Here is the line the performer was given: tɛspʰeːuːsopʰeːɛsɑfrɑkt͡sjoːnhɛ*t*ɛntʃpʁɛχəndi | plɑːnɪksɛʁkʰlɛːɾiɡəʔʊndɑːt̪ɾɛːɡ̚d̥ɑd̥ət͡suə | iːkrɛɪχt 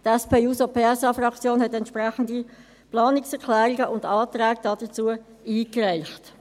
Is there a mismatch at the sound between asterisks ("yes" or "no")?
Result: no